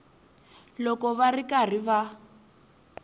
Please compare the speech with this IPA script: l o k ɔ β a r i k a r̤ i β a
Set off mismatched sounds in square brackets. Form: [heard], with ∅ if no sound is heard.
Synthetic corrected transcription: l [ɔ] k ɔ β a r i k a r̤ i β a